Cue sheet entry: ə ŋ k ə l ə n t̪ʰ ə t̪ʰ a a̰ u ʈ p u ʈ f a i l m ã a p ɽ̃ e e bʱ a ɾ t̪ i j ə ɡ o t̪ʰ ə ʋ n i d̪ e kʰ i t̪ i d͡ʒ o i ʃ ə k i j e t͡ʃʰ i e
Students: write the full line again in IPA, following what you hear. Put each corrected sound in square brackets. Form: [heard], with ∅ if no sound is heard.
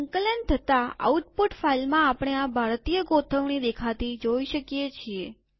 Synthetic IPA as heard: ə ŋ k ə l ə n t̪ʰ ə [t̪] a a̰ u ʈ p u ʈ f a i l m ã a p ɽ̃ e [a] bʱ a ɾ t̪ i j ə ɡ o t̪ʰ ə ʋ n i d̪ e kʰ [a] t̪ i d͡ʒ o i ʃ ə k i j e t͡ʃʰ i e